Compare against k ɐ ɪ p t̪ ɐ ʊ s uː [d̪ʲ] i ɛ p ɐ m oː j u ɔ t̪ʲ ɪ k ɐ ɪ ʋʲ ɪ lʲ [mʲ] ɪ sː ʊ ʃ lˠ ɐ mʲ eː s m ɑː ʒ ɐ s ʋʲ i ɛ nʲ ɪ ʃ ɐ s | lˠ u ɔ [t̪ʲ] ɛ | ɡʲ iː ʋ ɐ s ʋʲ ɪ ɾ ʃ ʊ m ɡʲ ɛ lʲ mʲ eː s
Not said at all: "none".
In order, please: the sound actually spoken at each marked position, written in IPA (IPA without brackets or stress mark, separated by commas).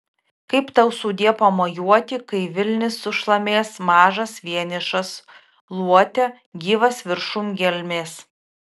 d̪ʲ, nʲ, t̪ʲ